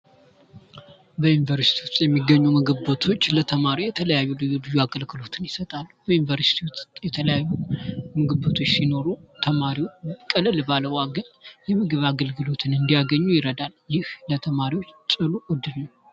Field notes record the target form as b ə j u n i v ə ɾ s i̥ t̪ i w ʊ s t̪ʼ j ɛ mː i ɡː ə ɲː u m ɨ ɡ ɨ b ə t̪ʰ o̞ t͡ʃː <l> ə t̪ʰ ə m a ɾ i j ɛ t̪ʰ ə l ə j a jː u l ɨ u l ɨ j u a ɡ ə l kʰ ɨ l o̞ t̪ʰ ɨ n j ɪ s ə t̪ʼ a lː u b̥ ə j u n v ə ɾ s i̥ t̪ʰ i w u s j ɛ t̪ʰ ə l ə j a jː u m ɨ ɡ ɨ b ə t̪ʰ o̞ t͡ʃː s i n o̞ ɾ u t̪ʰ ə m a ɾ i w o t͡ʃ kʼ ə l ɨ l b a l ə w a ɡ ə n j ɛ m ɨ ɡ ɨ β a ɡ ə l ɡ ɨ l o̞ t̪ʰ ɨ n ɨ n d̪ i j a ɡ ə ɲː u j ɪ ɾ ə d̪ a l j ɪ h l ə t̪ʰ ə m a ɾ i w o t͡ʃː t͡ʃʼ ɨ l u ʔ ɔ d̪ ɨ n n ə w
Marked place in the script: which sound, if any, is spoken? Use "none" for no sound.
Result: l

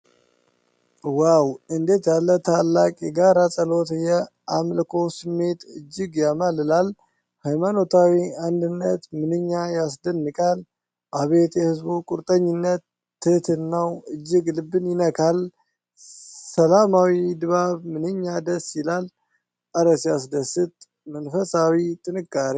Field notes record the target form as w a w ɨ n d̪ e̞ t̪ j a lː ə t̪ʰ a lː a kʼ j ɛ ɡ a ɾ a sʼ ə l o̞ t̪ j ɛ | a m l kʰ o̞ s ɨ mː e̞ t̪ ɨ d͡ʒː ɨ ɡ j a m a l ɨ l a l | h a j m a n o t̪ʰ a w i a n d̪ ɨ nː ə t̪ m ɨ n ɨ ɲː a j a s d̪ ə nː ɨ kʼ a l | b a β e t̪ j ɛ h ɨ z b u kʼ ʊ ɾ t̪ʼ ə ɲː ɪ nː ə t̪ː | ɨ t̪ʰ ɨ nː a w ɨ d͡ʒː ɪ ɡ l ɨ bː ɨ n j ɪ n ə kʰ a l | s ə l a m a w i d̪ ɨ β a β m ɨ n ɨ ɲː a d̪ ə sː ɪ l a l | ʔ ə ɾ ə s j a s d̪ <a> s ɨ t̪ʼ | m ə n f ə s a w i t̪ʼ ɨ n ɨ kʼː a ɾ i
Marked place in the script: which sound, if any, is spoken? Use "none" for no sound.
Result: ə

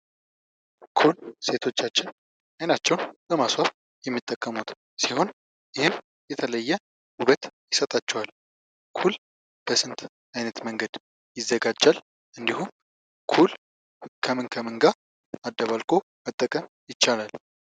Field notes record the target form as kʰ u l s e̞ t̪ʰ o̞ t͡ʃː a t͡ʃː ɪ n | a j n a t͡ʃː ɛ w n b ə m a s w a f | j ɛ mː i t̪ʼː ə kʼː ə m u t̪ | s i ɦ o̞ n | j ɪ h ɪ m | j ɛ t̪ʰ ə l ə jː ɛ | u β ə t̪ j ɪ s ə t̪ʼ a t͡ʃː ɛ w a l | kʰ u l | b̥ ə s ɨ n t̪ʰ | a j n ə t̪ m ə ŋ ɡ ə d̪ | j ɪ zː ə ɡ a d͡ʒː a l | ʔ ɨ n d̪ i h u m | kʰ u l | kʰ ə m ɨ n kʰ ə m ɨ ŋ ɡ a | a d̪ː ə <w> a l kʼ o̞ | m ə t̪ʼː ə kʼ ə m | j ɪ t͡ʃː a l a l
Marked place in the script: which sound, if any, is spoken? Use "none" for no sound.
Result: β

